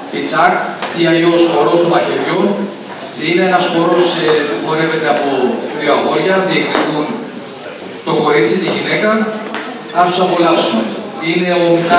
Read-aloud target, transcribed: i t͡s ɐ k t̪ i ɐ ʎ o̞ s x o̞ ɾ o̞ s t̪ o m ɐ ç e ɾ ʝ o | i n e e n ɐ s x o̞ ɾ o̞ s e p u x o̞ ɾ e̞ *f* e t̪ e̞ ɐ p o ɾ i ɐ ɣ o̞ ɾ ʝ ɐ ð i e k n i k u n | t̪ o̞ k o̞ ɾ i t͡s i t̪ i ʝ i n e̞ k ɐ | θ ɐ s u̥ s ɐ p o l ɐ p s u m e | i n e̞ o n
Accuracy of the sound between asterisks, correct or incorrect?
incorrect: v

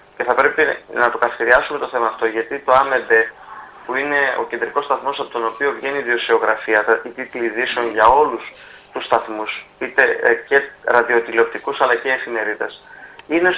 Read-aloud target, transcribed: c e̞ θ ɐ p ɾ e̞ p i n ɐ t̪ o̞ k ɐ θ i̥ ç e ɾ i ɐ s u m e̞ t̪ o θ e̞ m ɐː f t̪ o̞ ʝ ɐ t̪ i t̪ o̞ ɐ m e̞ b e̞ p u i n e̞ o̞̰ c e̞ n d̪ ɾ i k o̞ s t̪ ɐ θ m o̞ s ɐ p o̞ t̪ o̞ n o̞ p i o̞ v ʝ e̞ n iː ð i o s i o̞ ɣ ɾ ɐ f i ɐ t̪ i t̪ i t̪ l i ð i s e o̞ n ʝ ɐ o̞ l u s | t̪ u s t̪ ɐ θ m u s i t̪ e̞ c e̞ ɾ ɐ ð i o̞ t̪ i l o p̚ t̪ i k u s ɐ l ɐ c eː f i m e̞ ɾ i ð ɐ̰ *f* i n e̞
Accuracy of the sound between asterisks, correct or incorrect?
incorrect: s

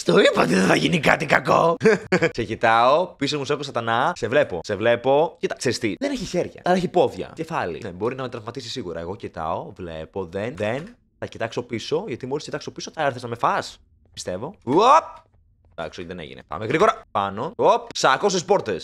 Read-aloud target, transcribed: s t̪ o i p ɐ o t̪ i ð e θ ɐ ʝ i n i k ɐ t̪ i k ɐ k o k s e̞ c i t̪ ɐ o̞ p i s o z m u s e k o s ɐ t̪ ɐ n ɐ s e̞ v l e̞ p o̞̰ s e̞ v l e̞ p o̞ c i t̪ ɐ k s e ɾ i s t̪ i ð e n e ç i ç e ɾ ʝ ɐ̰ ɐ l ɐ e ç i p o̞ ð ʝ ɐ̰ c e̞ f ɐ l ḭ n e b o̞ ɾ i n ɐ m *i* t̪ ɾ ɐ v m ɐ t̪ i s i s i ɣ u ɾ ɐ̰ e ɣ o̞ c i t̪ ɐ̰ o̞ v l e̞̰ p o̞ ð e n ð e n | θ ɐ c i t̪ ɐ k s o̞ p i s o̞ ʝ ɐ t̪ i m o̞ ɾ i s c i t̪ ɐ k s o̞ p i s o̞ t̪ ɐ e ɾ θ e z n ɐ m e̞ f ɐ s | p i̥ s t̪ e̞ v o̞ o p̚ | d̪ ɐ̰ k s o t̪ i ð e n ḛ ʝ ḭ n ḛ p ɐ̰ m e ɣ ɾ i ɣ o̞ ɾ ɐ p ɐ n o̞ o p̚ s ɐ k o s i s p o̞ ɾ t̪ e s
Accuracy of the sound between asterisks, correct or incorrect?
incorrect: e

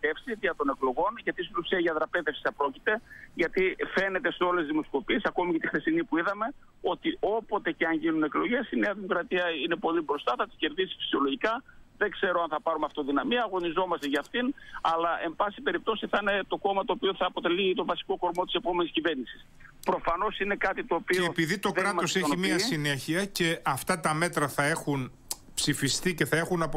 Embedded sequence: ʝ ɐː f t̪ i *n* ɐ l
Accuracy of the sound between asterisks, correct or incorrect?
correct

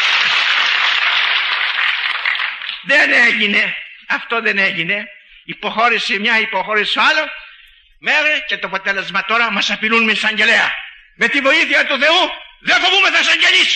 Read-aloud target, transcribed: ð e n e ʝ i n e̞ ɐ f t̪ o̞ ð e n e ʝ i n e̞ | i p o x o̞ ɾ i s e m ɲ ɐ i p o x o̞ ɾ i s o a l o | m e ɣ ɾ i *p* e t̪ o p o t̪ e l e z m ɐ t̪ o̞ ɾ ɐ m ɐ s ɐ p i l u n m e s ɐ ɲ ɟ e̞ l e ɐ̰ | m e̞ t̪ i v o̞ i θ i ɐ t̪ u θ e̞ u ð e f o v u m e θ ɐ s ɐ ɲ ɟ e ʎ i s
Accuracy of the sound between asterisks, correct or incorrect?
incorrect: c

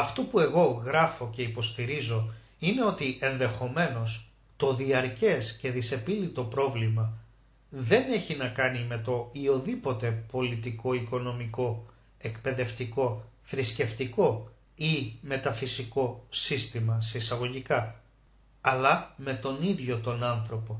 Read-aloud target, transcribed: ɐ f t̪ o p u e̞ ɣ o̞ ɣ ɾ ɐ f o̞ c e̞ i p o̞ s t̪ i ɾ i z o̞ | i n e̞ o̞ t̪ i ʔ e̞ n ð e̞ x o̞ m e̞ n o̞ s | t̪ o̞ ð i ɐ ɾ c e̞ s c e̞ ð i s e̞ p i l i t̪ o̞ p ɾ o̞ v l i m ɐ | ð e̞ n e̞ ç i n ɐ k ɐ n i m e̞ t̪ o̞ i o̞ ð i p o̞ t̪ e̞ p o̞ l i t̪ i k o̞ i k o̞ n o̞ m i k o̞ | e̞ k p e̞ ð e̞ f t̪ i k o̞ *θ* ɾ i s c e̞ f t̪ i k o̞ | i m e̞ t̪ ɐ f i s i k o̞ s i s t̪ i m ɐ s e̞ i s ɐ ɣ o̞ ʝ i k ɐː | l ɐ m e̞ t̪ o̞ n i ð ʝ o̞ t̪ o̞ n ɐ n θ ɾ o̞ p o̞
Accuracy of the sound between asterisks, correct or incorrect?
correct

